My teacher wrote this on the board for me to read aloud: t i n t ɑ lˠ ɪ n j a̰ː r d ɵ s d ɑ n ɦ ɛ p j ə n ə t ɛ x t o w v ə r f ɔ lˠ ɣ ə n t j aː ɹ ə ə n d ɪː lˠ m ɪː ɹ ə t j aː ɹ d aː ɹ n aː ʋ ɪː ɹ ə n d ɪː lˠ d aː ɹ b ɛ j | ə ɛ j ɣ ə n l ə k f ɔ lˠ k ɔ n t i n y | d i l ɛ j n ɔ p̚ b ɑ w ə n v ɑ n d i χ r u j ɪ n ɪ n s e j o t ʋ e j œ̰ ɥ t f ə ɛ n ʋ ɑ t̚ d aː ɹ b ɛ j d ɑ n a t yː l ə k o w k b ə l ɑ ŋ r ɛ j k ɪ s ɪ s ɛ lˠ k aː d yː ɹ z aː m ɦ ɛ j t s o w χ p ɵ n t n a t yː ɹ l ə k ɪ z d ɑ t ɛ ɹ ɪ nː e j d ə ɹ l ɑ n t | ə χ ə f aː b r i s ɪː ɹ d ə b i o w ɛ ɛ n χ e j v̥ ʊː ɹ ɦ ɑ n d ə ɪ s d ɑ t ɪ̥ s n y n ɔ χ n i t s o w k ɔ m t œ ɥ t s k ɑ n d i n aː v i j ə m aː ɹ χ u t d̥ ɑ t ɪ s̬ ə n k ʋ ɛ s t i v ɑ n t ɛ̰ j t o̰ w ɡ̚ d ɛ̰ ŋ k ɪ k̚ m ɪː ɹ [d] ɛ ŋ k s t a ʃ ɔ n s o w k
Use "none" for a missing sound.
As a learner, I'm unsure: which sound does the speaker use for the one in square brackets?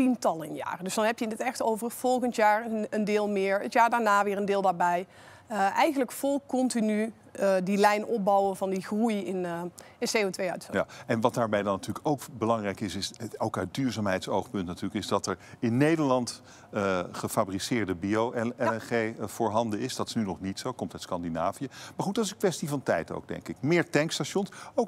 t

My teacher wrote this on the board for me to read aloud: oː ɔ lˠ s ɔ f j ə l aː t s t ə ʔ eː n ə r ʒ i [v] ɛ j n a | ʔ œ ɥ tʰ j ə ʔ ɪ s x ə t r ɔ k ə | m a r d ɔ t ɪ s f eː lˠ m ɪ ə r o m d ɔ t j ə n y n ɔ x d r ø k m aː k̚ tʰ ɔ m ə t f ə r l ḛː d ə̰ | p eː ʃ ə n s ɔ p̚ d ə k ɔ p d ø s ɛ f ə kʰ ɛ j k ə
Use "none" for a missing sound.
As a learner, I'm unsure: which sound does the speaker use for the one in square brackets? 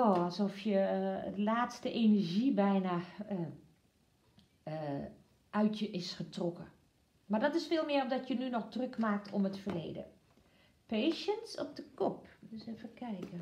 b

